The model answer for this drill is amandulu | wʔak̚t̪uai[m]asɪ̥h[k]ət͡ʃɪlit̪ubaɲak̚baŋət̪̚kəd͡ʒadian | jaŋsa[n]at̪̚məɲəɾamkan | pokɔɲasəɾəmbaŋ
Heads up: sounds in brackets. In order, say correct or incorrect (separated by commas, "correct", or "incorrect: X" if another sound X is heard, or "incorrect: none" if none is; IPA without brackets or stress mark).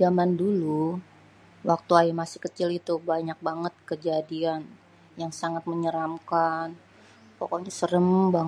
correct, correct, incorrect: ŋ